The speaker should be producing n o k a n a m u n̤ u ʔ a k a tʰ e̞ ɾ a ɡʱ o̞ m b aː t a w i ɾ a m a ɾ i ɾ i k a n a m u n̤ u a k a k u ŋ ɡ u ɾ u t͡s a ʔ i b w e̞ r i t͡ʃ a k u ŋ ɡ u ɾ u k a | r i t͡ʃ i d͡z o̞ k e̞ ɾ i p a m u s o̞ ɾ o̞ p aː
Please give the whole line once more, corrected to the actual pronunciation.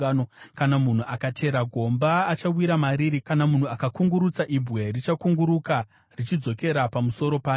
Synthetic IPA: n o k a n a m u n̤ u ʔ a k a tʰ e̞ ɾ a ɡʱ o̞ m b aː t͡ʃ a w i ɾ a m a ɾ i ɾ i k a n a m u n̤ u a k a k u ŋ ɡ u ɾ u t͡s a ʔ i b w e̞ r i t͡ʃ a k u ŋ ɡ u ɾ u k a | r i t͡ʃ i d͡z o̞ k e̞ ɾ a p a m u s o̞ ɾ o̞ p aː

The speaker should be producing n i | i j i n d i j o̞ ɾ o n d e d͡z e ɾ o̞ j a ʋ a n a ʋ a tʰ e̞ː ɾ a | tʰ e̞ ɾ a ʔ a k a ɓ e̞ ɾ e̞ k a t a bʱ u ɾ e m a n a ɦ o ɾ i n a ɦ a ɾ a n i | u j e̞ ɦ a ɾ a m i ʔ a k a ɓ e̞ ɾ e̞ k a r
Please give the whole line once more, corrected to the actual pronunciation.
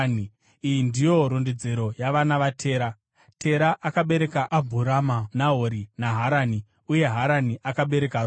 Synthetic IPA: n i | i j i n d i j o̞ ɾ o n d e d͡z e ɾ o̞ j a ʋ a n a ʋ a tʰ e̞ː ɾ a | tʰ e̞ ɾ a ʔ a k a ɓ e̞ ɾ e̞ k a ʔ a bʱ u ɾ a m a n a ɦ o ɾ i n a ɦ a ɾ a n i | u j e̞ ɦ a ɾ a n i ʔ a k a ɓ e̞ ɾ e̞ k a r

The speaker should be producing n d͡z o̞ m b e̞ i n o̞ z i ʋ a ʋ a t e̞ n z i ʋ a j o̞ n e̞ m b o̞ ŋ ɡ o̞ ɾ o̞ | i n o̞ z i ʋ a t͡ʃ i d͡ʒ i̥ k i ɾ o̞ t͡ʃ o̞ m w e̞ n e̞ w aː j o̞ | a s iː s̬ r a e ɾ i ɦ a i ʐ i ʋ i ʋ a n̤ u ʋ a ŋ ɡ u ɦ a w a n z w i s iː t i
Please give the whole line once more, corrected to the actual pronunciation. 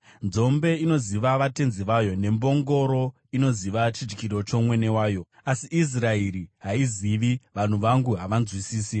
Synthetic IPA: n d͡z o̞ m b e̞ i n o̞ z i ʋ a ʋ a t e̞ n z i ʋ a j o̞ n e̞ m b o̞ ŋ ɡ o̞ ɾ o̞ | i n o̞ z i ʋ a t͡ʃ i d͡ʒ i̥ k i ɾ o̞ t͡ʃ o̞ m w e̞ n e̞ w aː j o̞ | a s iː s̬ r a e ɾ i ɦ a i z i ʋ i ʋ a n̤ u ʋ a ŋ ɡ u ɦ a ʋ a n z w i s iː s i

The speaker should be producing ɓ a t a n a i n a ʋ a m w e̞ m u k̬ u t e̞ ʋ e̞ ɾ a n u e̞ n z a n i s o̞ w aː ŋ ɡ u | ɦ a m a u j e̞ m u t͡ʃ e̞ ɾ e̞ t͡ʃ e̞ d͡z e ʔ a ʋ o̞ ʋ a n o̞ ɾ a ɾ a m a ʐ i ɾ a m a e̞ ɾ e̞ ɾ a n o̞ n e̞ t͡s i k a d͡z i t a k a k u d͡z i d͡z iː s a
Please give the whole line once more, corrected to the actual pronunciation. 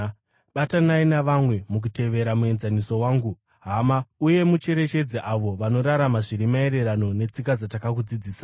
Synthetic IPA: ɓ a t a n a i n a ʋ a m w e̞ m u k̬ u t e̞ ʋ e̞ ɾ a m u e̞ n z a n i s o̞ w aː ŋ ɡ u | ɦ a m a u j e̞ m u t͡ʃ e̞ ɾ e̞ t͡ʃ e̞ d͡z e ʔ a ʋ o̞ ʋ a n o̞ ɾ a ɾ a m a ʐ i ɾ i m a e̞ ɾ e̞ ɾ a n o̞ n e̞ t͡s i k a d͡z a t a k a k u d͡z i d͡z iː s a

